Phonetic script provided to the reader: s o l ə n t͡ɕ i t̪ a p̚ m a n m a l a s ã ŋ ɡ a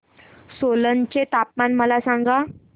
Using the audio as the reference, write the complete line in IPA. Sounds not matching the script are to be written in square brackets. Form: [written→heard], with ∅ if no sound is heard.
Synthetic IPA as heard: s o l ə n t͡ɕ [i→e] t̪ a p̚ m a n m [a→ə] l a s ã ŋ ɡ a